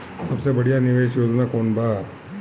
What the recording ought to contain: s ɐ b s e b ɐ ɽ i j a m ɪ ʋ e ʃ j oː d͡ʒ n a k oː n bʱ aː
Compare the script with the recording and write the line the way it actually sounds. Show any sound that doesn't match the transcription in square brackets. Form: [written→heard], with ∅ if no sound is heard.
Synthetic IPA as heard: s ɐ b s e b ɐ ɽ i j a [m→n] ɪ ʋ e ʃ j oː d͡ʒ n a k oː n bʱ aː